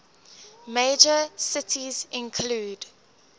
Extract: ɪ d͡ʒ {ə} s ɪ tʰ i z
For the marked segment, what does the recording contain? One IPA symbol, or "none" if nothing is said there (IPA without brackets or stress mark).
ə